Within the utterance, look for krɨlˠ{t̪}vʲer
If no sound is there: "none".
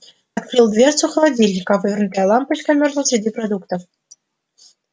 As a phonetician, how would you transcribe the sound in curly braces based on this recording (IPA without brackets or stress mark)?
d̪